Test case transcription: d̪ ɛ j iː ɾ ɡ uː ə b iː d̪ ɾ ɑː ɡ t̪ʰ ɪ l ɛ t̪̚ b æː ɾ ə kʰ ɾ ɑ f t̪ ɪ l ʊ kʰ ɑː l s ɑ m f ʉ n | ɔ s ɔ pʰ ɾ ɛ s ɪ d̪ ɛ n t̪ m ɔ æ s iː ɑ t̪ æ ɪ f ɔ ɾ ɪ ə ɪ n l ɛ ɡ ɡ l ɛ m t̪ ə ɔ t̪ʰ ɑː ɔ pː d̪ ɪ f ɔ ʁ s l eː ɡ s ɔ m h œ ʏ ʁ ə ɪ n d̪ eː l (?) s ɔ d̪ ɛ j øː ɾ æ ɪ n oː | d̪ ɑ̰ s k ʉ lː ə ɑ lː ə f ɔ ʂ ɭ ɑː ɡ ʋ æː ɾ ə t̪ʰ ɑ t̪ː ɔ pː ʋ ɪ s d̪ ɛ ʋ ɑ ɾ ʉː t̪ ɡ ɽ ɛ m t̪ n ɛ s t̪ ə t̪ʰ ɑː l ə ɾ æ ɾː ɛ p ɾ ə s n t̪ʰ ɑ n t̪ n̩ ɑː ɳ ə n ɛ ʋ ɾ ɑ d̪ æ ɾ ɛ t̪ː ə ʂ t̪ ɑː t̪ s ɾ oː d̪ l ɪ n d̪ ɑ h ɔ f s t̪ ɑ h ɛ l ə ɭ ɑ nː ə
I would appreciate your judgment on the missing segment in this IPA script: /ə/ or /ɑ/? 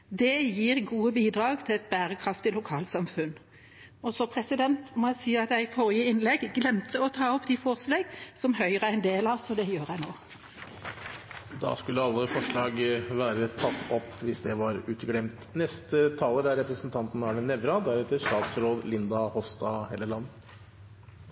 ɑ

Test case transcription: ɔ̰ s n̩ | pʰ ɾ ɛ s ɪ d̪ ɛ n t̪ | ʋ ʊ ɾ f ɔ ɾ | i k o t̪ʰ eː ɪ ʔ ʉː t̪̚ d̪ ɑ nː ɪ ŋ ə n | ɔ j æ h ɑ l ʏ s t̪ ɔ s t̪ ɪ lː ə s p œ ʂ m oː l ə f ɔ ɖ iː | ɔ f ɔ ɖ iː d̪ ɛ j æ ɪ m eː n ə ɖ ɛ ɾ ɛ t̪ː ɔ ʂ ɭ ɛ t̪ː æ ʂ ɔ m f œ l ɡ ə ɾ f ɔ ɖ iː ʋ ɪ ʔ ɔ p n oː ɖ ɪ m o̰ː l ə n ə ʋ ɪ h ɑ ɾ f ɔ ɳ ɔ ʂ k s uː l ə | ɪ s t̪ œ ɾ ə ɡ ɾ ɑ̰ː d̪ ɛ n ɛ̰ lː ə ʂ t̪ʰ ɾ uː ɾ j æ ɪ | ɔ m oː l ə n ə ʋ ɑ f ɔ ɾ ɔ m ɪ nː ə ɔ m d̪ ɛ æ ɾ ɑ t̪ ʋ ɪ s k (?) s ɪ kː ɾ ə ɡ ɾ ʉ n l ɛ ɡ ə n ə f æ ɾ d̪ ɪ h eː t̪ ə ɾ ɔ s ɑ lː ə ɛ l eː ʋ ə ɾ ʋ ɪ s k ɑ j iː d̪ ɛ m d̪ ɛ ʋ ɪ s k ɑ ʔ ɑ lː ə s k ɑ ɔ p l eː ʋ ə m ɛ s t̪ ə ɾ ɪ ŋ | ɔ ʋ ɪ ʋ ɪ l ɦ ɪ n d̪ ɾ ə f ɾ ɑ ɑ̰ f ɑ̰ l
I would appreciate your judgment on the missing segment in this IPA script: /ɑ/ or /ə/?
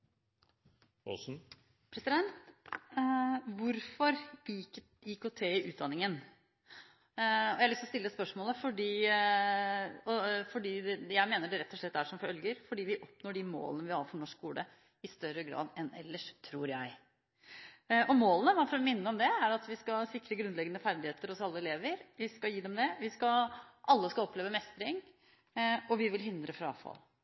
ɑ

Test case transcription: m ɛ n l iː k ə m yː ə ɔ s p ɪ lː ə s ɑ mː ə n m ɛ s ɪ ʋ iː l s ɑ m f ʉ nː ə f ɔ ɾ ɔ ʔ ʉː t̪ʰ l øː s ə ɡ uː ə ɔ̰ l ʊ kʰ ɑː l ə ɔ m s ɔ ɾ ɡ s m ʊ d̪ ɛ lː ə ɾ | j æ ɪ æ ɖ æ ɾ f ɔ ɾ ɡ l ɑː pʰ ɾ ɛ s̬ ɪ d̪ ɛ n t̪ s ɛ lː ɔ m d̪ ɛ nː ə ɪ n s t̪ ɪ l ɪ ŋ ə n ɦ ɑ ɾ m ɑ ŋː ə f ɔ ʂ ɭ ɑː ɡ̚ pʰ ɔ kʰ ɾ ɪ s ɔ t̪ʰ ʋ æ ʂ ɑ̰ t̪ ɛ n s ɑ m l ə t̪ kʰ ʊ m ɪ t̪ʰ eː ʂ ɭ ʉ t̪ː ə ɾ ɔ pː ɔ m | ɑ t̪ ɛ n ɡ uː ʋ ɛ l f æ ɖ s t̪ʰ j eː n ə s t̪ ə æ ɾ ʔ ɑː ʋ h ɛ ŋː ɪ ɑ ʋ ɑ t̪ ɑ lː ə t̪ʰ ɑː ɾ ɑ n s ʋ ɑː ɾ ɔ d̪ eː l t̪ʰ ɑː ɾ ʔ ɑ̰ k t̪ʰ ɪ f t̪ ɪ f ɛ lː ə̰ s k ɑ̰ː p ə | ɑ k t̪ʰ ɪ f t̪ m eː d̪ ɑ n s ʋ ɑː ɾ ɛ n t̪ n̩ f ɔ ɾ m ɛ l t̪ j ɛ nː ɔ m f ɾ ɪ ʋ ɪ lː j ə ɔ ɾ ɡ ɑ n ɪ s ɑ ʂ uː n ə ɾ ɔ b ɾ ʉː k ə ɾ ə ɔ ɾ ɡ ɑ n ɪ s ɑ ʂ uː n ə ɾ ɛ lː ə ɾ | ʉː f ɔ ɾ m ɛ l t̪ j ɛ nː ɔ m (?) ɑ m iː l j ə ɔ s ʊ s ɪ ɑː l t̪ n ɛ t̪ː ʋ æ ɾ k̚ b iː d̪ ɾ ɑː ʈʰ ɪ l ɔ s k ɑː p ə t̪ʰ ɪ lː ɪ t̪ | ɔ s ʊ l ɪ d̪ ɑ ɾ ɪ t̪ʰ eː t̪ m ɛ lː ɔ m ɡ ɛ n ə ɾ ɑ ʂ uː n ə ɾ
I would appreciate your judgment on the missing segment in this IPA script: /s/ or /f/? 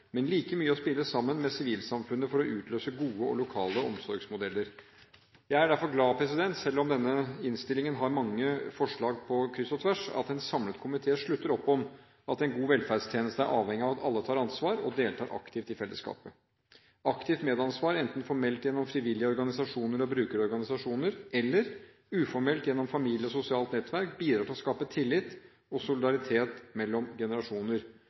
f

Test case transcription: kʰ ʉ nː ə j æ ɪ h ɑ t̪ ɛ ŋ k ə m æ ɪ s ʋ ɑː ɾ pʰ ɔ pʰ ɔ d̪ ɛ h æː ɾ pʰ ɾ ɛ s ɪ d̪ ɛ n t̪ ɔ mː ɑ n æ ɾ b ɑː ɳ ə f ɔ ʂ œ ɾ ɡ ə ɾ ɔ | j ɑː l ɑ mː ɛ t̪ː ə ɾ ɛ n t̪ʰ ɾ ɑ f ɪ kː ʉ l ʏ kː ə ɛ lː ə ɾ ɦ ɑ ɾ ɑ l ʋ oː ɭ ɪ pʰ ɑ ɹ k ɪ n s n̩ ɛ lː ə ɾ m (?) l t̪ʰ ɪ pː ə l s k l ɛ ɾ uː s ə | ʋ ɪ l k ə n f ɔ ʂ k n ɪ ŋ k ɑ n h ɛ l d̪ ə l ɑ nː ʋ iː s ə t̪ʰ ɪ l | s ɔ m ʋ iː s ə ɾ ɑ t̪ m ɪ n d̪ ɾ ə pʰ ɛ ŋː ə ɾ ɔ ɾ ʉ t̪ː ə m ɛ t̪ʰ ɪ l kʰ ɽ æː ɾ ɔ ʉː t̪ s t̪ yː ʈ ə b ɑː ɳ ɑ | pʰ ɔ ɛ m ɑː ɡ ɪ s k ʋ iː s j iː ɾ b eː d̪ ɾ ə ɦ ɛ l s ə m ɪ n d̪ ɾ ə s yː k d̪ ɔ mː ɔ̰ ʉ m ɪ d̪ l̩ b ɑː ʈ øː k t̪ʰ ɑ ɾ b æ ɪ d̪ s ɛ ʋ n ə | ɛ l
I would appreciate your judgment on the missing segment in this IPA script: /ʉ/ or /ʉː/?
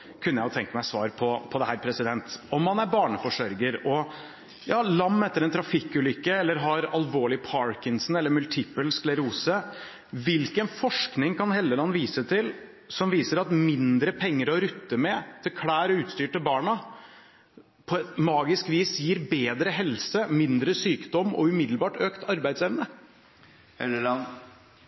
ʉ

